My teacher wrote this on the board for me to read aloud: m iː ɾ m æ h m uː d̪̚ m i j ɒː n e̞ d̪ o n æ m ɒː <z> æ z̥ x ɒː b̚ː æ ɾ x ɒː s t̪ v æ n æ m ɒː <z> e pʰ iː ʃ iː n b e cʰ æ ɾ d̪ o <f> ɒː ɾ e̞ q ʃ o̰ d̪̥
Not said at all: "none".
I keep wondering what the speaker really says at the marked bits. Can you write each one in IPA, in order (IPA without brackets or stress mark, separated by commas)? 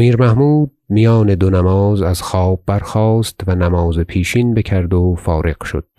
z, z, f